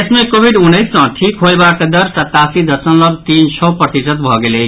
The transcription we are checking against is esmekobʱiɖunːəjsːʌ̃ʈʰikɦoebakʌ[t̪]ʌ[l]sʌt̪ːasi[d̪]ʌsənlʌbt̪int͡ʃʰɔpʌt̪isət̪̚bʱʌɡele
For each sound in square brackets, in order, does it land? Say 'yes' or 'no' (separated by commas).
no, no, yes